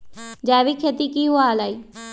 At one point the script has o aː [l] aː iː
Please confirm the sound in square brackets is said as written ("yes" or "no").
yes